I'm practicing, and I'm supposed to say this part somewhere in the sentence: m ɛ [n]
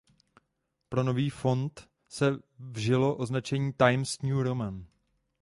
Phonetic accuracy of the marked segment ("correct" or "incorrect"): correct